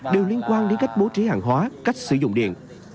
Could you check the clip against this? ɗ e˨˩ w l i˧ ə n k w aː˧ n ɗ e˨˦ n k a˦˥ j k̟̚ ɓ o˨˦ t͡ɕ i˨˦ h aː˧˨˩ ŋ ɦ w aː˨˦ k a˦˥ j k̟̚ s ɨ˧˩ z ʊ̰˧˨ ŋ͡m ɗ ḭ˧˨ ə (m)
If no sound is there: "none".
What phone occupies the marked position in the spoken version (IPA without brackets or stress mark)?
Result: n